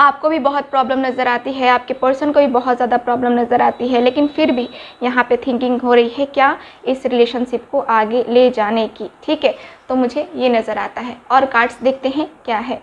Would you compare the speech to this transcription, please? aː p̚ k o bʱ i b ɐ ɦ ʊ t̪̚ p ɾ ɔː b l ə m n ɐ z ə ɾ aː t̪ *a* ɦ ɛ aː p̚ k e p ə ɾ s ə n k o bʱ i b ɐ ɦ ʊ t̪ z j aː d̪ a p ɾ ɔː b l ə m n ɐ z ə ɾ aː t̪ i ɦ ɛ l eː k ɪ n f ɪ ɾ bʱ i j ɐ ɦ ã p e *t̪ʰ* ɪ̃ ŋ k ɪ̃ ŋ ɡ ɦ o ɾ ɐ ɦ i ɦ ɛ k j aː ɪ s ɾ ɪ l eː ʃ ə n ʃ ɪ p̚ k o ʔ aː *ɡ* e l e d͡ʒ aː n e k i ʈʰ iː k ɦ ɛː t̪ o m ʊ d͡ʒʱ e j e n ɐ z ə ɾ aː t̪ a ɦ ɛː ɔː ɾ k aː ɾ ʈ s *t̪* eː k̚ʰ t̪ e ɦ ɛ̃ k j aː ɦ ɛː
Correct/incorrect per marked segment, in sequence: incorrect: i, correct, correct, incorrect: d̪

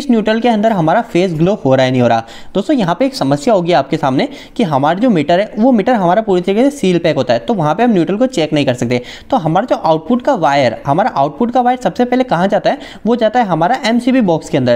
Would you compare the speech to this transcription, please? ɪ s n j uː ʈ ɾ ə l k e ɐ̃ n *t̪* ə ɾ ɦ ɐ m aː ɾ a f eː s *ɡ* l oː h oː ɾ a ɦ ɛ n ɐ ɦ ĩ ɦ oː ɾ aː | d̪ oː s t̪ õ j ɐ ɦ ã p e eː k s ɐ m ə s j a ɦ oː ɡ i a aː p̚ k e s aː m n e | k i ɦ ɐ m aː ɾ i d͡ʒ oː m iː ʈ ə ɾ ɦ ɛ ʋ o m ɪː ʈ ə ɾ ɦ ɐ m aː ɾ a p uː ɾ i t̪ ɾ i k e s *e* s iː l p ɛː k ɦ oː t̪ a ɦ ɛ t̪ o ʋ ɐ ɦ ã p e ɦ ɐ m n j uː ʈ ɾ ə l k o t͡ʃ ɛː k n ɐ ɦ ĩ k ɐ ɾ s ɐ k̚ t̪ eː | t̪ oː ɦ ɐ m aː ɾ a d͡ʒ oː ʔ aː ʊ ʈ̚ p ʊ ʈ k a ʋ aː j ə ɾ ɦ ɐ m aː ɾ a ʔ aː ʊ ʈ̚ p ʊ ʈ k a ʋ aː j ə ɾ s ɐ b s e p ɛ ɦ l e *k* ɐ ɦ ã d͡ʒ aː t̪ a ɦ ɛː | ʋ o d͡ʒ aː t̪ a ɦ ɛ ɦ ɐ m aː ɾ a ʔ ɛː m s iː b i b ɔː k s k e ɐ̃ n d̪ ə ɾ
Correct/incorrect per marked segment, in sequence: incorrect: d̪, correct, correct, correct

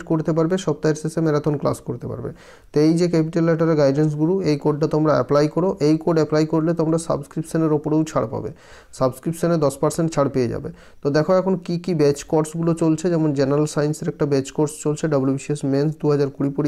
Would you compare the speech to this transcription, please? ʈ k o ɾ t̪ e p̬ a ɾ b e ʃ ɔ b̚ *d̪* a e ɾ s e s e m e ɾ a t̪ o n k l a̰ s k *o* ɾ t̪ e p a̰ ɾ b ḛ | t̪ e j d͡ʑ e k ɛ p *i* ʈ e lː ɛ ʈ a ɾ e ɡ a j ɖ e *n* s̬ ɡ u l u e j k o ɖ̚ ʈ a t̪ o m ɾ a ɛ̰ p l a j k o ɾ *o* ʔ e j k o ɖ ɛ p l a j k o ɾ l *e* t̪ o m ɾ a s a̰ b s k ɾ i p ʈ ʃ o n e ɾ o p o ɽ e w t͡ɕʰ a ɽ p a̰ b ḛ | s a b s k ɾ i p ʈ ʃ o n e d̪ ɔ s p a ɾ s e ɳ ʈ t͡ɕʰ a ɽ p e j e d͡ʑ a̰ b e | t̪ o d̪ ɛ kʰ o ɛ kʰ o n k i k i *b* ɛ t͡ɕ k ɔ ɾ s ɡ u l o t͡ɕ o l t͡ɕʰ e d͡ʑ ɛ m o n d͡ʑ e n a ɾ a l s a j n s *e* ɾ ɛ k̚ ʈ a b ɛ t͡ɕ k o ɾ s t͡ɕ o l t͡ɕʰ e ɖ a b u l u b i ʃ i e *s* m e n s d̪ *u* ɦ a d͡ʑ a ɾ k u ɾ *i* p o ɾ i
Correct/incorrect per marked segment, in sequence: incorrect: t̪, correct, correct, correct, correct, correct, correct, correct, correct, correct, correct

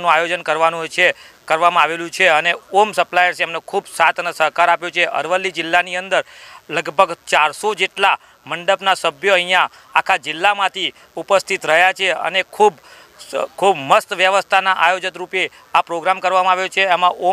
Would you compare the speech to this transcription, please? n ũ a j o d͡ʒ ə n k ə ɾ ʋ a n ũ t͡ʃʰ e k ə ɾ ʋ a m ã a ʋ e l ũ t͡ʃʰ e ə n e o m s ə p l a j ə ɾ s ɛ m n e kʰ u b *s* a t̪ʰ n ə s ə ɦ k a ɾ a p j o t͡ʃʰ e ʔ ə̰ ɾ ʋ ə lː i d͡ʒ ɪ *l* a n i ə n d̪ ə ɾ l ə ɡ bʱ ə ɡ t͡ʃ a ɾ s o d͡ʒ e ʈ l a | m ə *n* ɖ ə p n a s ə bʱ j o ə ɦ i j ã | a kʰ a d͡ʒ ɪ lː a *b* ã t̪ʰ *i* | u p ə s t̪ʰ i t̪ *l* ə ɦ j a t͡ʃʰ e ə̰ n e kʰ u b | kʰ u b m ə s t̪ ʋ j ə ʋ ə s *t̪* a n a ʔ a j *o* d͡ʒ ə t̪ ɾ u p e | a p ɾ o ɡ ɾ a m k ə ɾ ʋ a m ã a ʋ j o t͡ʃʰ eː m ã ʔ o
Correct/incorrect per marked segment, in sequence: correct, incorrect: lː, incorrect: ɳ, incorrect: m, correct, incorrect: ɾ, incorrect: t̪ʰ, correct

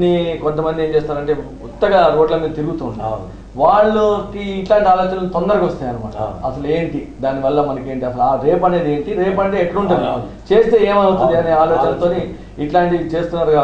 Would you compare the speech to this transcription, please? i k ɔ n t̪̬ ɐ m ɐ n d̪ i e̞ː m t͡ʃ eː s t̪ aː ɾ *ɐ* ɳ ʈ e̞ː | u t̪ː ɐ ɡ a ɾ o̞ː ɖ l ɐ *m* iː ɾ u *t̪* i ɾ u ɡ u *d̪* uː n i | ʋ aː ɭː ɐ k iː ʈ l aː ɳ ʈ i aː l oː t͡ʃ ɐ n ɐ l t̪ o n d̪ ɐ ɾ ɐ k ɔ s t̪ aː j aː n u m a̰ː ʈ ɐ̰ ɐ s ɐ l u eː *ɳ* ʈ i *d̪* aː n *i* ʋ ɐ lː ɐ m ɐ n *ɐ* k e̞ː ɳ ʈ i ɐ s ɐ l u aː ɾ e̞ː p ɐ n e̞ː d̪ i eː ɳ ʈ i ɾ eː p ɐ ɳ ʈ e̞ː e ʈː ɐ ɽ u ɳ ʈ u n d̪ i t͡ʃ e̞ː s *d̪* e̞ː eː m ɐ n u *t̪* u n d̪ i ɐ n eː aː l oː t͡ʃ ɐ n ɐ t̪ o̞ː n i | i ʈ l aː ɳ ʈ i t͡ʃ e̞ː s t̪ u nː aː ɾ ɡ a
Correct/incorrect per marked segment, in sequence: correct, correct, correct, incorrect: t̪, correct, correct, correct, correct, incorrect: t̪, correct

